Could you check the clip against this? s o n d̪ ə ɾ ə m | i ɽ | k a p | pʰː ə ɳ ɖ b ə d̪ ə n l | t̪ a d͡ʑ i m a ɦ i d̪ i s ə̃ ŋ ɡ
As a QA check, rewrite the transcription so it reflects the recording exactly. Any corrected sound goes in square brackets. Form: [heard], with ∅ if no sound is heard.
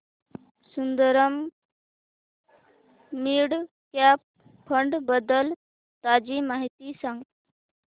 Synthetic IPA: s [u] n d̪ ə ɾ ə m | i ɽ | k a p | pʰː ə ɳ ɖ b ə d̪ ə [∅] l | t̪ a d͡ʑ i m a ɦ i [t̪] i s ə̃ ŋ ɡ